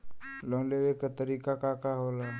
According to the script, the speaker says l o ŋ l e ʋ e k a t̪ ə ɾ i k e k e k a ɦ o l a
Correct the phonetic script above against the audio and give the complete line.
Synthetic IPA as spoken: l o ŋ l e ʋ e k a t̪ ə ɾ i k a k a k a ɦ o l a